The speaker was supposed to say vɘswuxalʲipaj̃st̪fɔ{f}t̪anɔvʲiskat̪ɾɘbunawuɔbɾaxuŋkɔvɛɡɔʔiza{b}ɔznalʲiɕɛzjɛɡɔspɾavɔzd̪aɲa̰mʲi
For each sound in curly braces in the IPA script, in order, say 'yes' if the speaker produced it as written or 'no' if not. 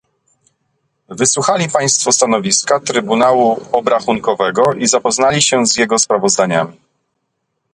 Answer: no, no

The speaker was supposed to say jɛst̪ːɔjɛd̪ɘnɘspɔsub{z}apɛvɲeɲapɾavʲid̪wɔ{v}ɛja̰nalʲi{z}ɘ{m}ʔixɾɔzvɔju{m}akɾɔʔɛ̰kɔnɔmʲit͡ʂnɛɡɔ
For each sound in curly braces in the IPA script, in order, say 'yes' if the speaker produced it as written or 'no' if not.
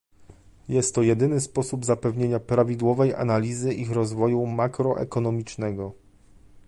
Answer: yes, yes, yes, no, yes

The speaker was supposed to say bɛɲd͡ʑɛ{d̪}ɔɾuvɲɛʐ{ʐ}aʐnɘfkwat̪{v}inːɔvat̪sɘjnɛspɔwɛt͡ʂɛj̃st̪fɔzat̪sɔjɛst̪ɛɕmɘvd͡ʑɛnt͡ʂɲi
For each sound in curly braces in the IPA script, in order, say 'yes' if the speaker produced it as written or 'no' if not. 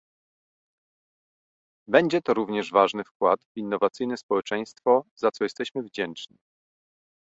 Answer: no, no, yes

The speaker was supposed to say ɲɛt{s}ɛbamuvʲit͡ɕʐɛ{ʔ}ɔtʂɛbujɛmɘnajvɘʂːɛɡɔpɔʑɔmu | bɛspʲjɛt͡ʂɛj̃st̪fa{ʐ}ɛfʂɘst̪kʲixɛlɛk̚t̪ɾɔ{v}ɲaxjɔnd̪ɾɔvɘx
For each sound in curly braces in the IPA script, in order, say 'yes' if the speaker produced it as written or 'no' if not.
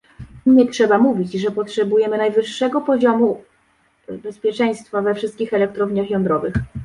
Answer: no, no, no, yes

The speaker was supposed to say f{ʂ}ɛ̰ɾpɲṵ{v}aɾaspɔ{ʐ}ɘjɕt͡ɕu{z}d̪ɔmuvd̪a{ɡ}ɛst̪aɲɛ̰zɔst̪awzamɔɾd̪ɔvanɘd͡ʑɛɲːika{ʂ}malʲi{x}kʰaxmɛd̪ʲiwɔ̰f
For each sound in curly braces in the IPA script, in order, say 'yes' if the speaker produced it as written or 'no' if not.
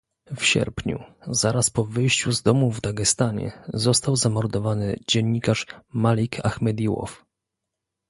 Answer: no, no, no, yes, yes, yes, no

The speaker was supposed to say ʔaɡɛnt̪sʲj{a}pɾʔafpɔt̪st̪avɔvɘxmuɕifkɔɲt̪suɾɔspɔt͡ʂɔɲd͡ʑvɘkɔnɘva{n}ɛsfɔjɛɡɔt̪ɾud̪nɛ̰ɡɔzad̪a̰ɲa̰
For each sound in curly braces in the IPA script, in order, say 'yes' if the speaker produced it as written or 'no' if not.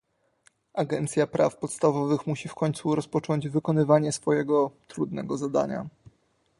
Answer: yes, no

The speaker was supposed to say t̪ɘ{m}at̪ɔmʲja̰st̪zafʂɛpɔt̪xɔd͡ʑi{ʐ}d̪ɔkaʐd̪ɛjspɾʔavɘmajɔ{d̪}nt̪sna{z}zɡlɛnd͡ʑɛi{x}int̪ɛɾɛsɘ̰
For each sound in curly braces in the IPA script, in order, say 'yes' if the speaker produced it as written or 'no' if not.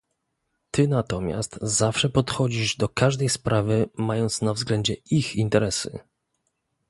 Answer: no, yes, no, no, yes

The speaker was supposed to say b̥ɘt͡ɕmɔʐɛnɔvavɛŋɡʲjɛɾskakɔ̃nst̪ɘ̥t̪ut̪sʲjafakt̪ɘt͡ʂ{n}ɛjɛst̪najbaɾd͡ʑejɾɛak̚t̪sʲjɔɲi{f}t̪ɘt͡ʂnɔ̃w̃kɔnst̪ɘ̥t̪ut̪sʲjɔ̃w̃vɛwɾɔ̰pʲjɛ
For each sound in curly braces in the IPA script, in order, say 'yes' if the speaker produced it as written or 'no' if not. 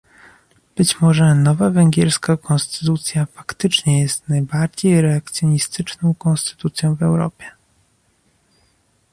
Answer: no, no

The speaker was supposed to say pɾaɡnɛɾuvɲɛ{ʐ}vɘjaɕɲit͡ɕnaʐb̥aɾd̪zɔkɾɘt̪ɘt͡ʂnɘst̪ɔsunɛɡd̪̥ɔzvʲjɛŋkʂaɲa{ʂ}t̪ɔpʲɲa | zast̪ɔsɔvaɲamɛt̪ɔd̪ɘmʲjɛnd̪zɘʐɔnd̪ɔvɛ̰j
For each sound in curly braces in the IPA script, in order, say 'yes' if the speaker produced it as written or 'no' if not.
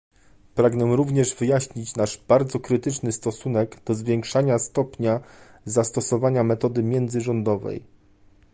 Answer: yes, no

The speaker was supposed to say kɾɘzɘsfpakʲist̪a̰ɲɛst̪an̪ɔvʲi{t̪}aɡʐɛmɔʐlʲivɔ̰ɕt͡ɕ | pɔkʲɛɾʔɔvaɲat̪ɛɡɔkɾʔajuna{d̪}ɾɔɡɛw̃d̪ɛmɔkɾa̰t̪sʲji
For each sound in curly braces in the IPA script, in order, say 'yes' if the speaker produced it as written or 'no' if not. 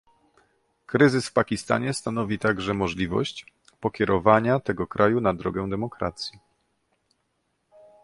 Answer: yes, yes

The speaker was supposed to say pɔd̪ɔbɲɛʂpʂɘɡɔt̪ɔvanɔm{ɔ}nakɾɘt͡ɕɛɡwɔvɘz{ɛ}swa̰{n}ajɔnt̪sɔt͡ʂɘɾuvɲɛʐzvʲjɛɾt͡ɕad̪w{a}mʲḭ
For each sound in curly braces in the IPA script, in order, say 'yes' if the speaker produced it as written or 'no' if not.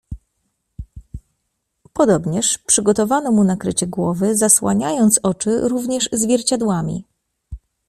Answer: no, no, no, yes

